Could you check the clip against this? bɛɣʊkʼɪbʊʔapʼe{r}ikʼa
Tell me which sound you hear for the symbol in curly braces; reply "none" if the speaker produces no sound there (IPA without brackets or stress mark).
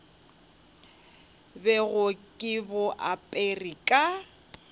r